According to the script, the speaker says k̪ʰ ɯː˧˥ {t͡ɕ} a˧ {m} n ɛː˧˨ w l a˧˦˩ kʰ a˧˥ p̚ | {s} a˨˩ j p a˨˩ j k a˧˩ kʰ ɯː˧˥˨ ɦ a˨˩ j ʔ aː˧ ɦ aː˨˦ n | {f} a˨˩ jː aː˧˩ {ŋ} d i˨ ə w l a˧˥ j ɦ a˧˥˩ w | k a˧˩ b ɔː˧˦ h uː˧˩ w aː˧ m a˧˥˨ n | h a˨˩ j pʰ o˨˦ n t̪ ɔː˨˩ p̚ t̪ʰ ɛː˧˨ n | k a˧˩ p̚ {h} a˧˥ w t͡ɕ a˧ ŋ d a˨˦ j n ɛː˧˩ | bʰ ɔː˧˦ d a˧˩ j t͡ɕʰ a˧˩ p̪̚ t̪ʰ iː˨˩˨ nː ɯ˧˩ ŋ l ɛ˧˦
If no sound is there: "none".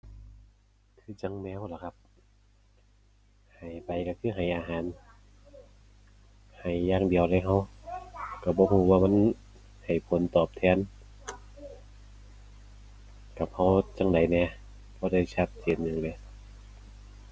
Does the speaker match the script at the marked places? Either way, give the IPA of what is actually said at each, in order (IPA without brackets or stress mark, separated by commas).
t͡ɕ, ŋ, h, h, ŋ, h